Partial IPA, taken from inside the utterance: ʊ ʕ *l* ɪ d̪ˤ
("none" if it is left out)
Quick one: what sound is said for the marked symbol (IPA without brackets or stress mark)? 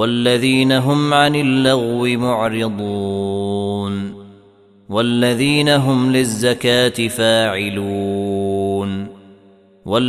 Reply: ɾ